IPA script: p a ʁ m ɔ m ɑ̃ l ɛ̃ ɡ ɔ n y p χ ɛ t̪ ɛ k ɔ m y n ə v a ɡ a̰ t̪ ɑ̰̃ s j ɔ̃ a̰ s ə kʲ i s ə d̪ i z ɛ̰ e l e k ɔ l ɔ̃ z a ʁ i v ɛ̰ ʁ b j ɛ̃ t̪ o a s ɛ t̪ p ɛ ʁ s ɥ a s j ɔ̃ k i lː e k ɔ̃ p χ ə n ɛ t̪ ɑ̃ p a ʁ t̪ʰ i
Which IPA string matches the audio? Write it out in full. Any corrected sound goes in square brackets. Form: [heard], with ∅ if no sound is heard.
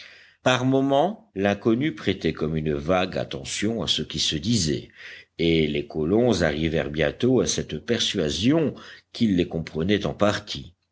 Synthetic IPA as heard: p a ʁ m ɔ m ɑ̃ l ɛ̃ [k] ɔ n y p χ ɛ t̪ ɛ k ɔ m y n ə v a ɡ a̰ t̪ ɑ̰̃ s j ɔ̃ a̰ s ə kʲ i s ə d̪ i z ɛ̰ e l e k ɔ l ɔ̃ z a ʁ i v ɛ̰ ʁ b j ɛ̃ t̪ o a s ɛ t̪ p ɛ ʁ s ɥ a [z] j ɔ̃ k i lː e k ɔ̃ p χ ə n ɛ t̪ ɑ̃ p a ʁ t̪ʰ i